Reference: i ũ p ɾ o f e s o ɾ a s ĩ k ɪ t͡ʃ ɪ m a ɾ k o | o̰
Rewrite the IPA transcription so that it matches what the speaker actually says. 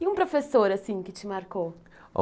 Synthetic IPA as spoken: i ũ p ɾ o f e s o ɾ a s ĩ k ɪ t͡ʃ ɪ m a ɾ k o | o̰